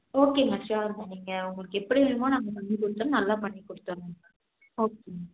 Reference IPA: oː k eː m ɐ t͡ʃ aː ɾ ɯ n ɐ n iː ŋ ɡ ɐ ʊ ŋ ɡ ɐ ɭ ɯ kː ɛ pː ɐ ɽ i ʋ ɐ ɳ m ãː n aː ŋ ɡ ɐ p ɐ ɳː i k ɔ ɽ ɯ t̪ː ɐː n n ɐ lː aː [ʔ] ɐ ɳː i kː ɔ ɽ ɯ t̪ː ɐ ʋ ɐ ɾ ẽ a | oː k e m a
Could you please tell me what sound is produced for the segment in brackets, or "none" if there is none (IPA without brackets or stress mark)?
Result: p